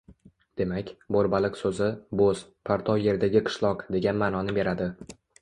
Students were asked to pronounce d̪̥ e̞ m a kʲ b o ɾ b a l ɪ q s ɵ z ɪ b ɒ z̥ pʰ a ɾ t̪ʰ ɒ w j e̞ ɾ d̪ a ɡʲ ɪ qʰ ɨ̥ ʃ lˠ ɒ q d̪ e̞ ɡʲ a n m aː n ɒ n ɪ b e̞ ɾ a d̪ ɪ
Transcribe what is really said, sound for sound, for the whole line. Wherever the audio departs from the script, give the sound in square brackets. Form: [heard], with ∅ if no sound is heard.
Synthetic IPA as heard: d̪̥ e̞ m a kʲ b o ɾ b a l ɪ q s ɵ z ɪ b [o] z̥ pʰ a ɾ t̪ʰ ɒ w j e̞ ɾ d̪ a ɡʲ ɪ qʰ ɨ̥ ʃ lˠ ɒ q d̪ e̞ ɡʲ a n m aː n ɒ n ɪ b e̞ ɾ a d̪ ɪ

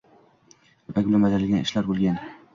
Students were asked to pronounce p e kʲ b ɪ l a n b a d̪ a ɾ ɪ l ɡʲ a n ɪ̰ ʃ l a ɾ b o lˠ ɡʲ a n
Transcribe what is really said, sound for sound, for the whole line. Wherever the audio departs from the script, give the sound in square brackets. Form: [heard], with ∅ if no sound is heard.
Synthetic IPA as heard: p [a] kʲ b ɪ l a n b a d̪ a ɾ ɪ l ɡʲ a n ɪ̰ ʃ l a ɾ b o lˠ ɡʲ a n

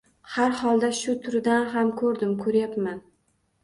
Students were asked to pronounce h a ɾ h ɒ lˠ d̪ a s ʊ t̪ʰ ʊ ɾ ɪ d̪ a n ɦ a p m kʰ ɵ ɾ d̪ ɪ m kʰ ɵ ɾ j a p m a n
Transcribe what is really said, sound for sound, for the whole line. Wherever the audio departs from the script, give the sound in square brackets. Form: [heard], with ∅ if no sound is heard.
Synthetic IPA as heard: h a ɾ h ɒ lˠ d̪ a [ʃ] ʊ t̪ʰ ʊ ɾ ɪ d̪ a n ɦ a [∅] m kʰ ɵ ɾ d̪ ɪ m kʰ ɵ ɾ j a p m a n

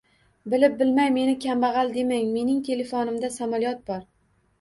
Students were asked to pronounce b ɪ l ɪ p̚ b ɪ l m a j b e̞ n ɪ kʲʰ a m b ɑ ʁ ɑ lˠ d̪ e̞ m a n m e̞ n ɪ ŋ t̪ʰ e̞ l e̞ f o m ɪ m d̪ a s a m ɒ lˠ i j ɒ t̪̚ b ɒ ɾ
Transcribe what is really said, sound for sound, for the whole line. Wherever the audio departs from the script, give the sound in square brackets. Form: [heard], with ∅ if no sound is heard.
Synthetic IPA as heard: b ɪ l ɪ p̚ b ɪ l m a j [m] e̞ n ɪ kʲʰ a m b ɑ ʁ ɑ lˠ d̪ e̞ m a [ŋ] m e̞ n ɪ ŋ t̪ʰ e̞ l e̞ f o [n] ɪ m d̪ a s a m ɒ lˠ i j ɒ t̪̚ b ɒ ɾ

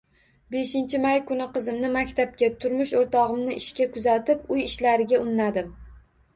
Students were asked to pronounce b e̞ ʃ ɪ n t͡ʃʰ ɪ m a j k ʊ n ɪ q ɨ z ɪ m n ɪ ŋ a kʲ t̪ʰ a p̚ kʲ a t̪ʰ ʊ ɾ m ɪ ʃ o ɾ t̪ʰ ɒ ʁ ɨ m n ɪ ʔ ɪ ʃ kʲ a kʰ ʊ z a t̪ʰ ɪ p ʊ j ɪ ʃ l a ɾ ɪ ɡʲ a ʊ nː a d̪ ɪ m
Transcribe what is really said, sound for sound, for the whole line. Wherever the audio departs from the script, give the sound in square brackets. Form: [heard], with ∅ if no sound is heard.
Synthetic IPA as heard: b e̞ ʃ ɪ n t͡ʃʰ ɪ m a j k ʊ n ɪ q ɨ z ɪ m n ɪ [m] a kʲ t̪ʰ a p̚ kʲ a t̪ʰ ʊ ɾ m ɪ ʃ o ɾ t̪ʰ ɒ ʁ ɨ m n ɪ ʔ ɪ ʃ kʲ a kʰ ʊ z a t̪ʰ ɪ p ʊ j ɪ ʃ l a ɾ ɪ ɡʲ a ʊ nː a d̪ ɪ m

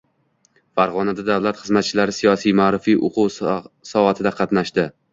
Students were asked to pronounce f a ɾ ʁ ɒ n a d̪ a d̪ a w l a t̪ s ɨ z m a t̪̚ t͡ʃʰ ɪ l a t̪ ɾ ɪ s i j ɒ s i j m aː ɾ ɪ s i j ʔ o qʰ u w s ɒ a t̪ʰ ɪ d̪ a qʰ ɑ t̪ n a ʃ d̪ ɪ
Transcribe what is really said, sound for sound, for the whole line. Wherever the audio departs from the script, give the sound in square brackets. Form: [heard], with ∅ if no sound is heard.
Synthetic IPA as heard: f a ɾ ʁ ɒ n a d̪ a d̪ a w l a t̪ [χ] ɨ z m a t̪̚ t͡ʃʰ ɪ l a [∅] ɾ ɪ s i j ɒ s i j m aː ɾ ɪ [f] i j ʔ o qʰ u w s ɒ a t̪ʰ ɪ d̪ a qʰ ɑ t̪ n a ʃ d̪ ɪ

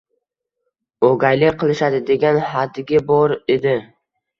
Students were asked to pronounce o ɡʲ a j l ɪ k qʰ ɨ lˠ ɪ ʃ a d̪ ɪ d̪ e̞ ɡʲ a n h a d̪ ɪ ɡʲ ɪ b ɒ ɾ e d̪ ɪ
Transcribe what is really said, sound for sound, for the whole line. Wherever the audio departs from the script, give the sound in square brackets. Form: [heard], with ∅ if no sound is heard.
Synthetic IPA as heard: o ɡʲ a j l ɪ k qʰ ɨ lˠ ɪ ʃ a d̪ ɪ d̪ e̞ ɡʲ a n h a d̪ ɪ ɡʲ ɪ b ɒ ɾ e d̪ ɪ

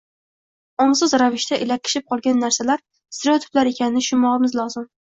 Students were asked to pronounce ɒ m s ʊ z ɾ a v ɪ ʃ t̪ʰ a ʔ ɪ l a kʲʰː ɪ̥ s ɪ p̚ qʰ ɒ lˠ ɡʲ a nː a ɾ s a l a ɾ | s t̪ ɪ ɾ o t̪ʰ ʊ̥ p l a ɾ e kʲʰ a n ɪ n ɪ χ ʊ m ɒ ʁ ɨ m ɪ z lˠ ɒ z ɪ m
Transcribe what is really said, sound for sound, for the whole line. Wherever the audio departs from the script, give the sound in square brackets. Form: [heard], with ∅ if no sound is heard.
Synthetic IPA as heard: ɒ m s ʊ z ɾ a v ɪ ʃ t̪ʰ a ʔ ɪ l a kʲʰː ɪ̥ [ʃ] ɪ p̚ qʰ ɒ lˠ ɡʲ a nː a ɾ s a l a ɾ | s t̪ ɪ ɾ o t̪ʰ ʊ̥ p l a ɾ e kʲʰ a n ɪ n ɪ [ʃ] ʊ m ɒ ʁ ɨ m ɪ z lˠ ɒ z ɪ m

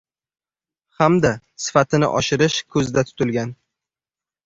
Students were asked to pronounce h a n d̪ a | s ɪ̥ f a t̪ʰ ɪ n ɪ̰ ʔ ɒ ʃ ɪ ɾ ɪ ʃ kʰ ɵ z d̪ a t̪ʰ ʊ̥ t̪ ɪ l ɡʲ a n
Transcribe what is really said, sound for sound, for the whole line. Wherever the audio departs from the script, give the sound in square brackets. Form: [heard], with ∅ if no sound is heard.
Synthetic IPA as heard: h a [m] d̪ a | s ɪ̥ f a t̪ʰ ɪ n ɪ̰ ʔ ɒ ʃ ɪ ɾ ɪ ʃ kʰ ɵ z d̪ a t̪ʰ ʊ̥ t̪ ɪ l ɡʲ a n

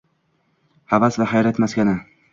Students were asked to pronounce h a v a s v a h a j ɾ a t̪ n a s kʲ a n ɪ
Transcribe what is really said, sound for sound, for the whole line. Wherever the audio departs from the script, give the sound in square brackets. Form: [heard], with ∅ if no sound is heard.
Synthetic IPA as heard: h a v a s v a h a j ɾ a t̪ [m] a s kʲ a n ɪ

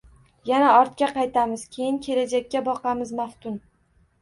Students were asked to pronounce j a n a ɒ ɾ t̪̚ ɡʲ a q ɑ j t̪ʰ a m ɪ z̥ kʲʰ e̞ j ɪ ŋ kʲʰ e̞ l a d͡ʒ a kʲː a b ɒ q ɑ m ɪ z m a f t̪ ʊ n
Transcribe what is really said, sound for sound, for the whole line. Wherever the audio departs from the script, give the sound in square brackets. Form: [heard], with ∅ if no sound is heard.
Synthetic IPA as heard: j a n a ɒ ɾ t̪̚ [kʲ] a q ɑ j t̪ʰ a m ɪ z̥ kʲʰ e̞ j ɪ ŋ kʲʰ e̞ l a d͡ʒ a kʲː a b ɒ q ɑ m ɪ z m a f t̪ ʊ n

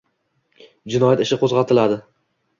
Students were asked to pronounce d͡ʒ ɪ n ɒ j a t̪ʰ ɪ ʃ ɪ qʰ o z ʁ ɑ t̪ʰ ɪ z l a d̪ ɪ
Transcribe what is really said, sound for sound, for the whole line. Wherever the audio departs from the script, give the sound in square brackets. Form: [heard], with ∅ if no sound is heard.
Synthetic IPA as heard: d͡ʒ ɪ n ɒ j a [t̪] ɪ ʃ ɪ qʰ o z ʁ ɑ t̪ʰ ɪ [∅] l a d̪ ɪ

